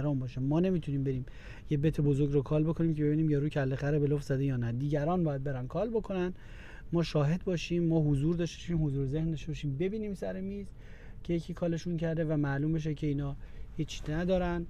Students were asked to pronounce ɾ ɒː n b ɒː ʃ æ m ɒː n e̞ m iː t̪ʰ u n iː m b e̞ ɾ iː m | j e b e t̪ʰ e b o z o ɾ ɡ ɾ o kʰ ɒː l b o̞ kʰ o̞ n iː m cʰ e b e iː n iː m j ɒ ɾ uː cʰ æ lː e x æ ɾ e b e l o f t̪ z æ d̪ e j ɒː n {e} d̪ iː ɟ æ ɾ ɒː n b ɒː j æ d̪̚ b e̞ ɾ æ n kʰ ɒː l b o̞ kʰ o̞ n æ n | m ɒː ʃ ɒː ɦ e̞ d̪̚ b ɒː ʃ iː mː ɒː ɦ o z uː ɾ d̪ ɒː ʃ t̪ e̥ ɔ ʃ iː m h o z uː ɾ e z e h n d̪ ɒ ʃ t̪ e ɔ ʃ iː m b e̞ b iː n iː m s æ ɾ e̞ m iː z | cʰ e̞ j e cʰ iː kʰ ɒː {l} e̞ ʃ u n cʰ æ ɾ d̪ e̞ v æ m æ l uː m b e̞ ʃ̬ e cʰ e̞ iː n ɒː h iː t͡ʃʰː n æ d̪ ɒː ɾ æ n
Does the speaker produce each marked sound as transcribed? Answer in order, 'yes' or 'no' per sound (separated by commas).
no, yes